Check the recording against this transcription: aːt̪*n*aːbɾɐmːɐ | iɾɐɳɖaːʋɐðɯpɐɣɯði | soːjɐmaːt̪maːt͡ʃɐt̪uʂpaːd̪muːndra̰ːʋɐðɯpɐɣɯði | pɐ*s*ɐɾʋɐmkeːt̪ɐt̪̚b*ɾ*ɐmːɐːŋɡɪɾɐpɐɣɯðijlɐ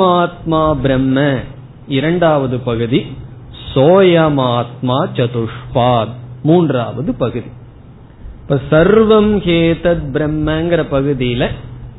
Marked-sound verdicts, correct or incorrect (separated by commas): incorrect, correct, correct